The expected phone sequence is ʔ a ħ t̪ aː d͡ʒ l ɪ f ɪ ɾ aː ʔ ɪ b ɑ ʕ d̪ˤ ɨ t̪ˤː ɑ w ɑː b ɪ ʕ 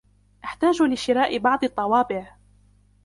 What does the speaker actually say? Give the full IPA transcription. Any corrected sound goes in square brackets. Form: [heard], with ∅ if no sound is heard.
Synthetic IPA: ʔ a ħ t̪ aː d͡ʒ l ɪ [ʃ] ɪ ɾ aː ʔ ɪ b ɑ ʕ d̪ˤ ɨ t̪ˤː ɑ w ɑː b ɪ ʕ